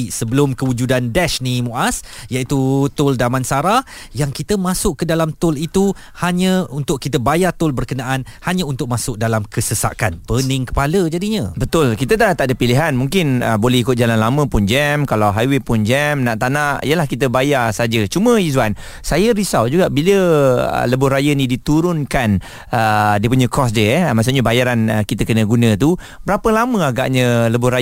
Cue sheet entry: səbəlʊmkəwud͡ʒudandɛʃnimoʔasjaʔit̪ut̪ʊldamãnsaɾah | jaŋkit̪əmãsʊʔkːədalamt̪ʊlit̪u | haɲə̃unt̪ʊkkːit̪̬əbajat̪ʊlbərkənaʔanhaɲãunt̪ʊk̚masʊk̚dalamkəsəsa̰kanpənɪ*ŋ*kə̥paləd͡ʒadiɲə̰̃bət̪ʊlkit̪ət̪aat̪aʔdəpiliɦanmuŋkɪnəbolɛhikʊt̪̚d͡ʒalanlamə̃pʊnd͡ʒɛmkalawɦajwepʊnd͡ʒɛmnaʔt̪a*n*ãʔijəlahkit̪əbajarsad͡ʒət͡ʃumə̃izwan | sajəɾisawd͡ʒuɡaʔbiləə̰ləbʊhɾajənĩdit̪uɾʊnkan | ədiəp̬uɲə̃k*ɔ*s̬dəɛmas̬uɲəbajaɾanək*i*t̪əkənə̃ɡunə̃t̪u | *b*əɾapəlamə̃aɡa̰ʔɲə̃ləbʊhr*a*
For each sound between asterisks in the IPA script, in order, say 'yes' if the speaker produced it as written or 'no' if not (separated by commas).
yes, yes, yes, yes, yes, yes